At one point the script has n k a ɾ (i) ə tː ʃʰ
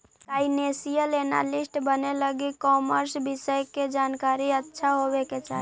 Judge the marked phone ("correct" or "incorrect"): correct